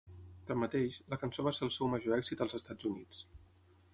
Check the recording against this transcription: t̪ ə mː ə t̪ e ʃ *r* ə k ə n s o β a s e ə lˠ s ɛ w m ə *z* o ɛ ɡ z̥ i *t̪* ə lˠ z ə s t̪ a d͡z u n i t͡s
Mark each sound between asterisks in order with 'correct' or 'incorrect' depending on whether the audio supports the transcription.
incorrect: l, incorrect: ʒ, correct

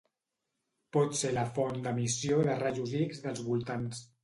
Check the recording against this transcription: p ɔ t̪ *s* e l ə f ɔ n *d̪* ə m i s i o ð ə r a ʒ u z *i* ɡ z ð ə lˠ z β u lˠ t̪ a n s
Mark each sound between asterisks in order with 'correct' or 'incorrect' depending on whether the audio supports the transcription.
correct, correct, correct

